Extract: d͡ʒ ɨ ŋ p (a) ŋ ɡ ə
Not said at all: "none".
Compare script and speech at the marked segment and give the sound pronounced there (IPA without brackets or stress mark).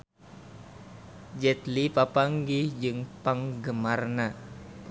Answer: a